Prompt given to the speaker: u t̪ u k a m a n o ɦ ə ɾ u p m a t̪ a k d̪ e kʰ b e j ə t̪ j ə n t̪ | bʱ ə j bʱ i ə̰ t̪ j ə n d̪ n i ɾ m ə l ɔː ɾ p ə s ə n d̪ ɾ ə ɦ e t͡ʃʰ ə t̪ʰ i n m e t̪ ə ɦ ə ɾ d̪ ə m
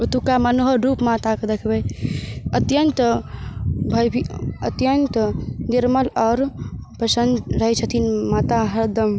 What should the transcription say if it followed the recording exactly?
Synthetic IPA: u t̪ u k a m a n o ɦ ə ɾ u p m a t̪ a k d̪ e kʰ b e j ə t̪ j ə n t̪ | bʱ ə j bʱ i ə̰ t̪ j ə n t̪ n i ɾ m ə l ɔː ɾ p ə s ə n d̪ ɾ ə ɦ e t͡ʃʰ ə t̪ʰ i n m a t̪ a ɦ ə ɾ d̪ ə m

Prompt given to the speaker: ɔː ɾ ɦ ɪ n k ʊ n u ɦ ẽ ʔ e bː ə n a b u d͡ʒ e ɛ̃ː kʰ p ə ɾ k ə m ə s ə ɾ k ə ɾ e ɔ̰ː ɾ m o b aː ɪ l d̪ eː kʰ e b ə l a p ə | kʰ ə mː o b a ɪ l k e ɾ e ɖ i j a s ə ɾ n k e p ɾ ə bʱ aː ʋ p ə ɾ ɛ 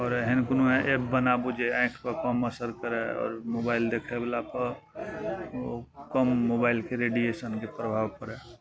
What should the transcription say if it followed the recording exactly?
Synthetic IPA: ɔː ɾ ɦ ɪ n k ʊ n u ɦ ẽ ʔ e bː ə n a b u d͡ʒ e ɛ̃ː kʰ p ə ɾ k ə m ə s ə ɾ k ə ɾ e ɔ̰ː ɾ m o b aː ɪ l d̪ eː kʰ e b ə l a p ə | k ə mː o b a ɪ l k e ɾ e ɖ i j e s ə n k e p ɾ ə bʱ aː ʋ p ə ɾ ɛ

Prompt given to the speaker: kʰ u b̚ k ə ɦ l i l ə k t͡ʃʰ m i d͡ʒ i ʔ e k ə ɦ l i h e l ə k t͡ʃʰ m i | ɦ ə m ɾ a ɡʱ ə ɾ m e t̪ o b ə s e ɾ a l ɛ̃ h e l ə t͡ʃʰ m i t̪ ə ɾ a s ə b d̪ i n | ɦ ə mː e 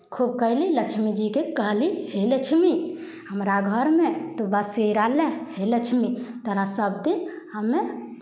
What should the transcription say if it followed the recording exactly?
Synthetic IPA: kʰ u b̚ k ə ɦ l i l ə k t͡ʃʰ m i d͡ʒ i k e k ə ɦ l i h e l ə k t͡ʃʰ m i | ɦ ə m ɾ a ɡʱ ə ɾ m e t̪ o b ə s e ɾ a l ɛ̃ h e l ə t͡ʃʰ m i t̪ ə ɾ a s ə b d̪ i n | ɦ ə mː e

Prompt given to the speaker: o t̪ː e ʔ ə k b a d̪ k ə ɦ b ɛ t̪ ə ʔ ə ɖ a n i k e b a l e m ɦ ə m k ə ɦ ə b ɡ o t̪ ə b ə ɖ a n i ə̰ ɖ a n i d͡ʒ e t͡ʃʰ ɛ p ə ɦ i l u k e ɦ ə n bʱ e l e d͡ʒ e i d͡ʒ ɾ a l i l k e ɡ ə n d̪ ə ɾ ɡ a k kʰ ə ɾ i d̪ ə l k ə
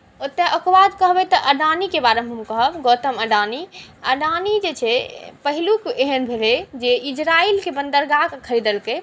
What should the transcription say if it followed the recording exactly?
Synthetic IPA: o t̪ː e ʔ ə k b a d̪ k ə ɦ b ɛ t̪ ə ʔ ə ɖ a n i k e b a ɾ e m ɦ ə m k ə ɦ ə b ɡ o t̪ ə m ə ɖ a n i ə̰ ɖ a n i d͡ʒ e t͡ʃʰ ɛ p ə ɦ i l u k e ɦ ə n bʱ e l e d͡ʒ e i d͡ʒ ɾ a i l k e b ə n d̪ ə ɾ ɡ a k kʰ ə ɾ i d̪ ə l k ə

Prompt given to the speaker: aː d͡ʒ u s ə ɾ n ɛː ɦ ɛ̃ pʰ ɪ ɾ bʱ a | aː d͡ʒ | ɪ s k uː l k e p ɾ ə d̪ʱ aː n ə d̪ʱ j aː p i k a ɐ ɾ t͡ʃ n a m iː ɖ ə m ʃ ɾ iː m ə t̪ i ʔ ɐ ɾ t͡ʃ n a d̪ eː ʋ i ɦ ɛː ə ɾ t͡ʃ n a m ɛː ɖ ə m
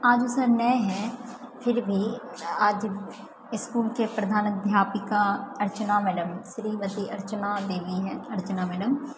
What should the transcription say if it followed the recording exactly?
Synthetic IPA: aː d͡ʒ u s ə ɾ n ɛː ɦ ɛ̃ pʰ ɪ ɾ bʱ i | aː d͡ʒ | ɪ s k uː l k e p ɾ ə d̪ʱ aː n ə d̪ʱ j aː p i k a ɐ ɾ t͡ʃ n a m ɛː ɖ ə m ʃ ɾ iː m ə t̪ i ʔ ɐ ɾ t͡ʃ n a d̪ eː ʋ i ɦ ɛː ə ɾ t͡ʃ n a m ɛː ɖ ə m

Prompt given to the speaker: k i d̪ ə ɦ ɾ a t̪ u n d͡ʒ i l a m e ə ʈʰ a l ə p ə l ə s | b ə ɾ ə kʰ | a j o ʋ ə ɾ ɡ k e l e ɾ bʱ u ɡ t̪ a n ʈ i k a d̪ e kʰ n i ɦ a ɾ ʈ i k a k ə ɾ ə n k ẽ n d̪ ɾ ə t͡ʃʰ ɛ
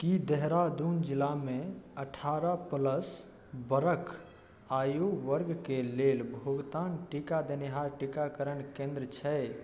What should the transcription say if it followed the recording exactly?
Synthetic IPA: k i d̪ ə ɦ ɾ a d̪ u n d͡ʒ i l a m e ə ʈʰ a ɾ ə p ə l ə s | b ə ɾ ə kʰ | a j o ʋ ə ɾ ɡ k e l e l bʱ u ɡ t̪ a n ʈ i k a d̪ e n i ɦ a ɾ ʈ i k a k ə ɾ ə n k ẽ n d̪ ɾ ə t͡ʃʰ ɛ

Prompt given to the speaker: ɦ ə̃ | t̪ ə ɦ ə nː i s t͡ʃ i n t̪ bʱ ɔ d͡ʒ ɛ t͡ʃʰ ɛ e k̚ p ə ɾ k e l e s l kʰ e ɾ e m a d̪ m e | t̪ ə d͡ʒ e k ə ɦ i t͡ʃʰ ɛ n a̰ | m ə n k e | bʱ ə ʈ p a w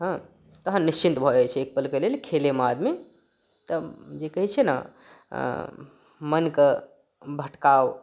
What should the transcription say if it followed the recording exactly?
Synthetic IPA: ɦ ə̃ | t̪ ə ɦ ə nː i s t͡ʃ i n t̪ bʱ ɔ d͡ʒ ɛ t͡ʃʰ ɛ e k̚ p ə l k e l e l kʰ e l e m a d̪ m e | t̪ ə d͡ʒ e k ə ɦ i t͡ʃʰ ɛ n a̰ | m ə n k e | bʱ ə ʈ k a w

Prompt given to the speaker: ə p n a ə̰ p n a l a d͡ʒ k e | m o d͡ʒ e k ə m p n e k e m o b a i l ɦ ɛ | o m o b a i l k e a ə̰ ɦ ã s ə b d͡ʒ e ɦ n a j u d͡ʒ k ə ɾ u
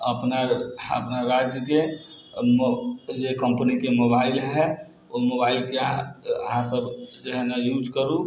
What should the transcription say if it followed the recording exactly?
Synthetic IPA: ə p n a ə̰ p n a ɾ a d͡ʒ k e | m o d͡ʒ e k ə m p n i k e m o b a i l ɦ ɛ | o m o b a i l k e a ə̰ ɦ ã s ə b d͡ʒ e ɦ n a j u d͡ʒ k ə ɾ u

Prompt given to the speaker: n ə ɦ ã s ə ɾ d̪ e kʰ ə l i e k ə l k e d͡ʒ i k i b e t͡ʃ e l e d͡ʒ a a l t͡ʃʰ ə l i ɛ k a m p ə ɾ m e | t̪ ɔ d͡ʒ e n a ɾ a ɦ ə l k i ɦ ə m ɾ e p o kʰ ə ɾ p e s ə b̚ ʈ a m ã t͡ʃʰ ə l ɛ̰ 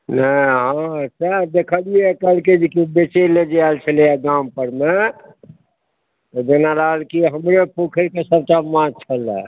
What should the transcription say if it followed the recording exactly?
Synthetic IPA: n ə ɦ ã s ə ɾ d̪ e kʰ ə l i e k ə l k e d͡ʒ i k i b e t͡ʃ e l e d͡ʒ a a l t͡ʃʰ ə l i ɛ ɡ a m p ə ɾ m e | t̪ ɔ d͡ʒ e n a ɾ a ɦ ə l k i ɦ ə m ɾ e p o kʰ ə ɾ k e s ə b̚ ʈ a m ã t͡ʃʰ ə l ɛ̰

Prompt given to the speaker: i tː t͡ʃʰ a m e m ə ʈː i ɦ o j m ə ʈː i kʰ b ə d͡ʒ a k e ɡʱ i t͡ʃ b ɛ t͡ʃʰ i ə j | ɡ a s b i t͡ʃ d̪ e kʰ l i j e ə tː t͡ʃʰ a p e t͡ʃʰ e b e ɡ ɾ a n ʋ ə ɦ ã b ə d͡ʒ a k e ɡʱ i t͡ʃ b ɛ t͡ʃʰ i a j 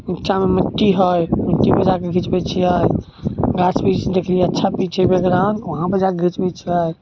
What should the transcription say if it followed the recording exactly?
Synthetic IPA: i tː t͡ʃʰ a m e m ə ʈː i ɦ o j m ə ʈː i b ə d͡ʒ a k e ɡʱ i t͡ʃ b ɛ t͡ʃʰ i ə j | ɡ a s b i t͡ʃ d̪ e kʰ l i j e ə tː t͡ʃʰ a p i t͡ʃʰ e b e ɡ ɾ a n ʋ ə ɦ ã b ə d͡ʒ a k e ɡʱ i t͡ʃ b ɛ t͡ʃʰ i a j

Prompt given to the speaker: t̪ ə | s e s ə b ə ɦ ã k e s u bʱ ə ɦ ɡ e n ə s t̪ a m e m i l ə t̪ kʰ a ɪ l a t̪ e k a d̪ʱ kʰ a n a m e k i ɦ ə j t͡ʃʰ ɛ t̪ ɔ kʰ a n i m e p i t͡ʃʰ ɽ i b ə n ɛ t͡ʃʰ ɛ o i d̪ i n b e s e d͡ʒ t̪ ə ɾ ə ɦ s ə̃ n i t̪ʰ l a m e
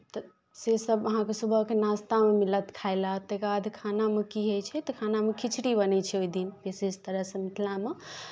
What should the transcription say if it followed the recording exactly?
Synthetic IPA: t̪ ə | s e s ə b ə ɦ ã k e s u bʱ ə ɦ k e n a s t̪ a m e m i l ə t̪ kʰ a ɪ l a t̪ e k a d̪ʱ kʰ a n a m e k i ɦ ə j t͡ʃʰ ɛ t̪ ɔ kʰ a n a m e k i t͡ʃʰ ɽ i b ə n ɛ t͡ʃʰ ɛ o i d̪ i n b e s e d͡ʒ t̪ ə ɾ ə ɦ s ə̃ m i t̪ʰ l a m e

